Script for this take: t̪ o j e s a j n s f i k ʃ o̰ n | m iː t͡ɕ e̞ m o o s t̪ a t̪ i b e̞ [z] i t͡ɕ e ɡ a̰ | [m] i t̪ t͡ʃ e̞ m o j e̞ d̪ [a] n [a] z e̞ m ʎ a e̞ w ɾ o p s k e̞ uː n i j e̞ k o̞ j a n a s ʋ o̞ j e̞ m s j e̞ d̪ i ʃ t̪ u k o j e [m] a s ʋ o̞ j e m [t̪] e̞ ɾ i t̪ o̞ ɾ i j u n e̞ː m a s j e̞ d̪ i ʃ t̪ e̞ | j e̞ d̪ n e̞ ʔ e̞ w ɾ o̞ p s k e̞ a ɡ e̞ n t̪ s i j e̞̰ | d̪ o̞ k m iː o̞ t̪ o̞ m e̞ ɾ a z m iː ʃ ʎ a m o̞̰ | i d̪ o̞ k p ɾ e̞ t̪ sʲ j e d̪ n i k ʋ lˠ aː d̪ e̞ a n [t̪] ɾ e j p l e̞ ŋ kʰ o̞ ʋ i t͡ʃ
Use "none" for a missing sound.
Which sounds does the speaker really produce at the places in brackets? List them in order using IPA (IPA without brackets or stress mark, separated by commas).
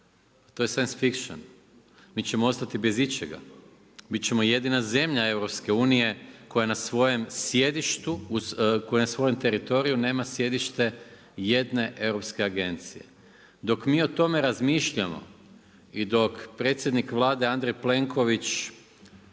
z, b, i, a, n, t̪, d̪